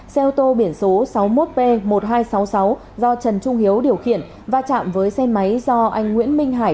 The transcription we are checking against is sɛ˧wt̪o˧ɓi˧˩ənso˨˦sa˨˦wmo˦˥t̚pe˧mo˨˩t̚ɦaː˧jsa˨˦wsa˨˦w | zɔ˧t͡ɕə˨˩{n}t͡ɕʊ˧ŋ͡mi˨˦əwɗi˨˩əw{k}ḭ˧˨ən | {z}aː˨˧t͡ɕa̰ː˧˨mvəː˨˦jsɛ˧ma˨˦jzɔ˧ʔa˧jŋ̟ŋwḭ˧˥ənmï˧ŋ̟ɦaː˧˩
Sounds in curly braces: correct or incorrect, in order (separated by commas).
correct, incorrect, incorrect